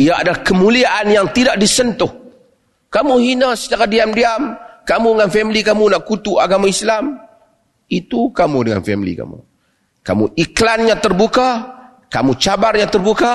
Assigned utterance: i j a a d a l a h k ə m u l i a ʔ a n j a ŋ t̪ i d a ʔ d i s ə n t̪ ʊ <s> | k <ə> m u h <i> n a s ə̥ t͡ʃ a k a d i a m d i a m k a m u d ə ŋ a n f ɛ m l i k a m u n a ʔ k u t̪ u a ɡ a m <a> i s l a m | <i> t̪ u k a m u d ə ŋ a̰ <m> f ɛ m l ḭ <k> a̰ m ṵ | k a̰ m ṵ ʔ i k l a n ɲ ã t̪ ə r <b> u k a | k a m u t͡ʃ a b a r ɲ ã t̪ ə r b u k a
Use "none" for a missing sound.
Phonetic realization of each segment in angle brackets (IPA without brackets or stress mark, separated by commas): h, a, i, a, i, n, k, b